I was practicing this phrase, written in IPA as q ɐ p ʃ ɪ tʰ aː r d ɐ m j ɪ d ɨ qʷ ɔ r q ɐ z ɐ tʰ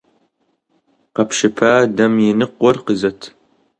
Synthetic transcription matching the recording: q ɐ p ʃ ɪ pʰ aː d ɐ m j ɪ n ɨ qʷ ɔ r q ə z ɐ tʰ